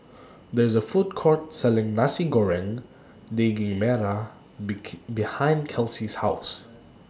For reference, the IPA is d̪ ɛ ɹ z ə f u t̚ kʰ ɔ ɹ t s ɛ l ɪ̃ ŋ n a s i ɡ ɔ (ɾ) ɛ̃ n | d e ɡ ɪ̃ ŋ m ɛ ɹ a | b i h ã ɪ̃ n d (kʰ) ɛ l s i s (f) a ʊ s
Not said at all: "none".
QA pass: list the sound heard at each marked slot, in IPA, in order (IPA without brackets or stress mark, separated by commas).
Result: ɹ, kʰ, h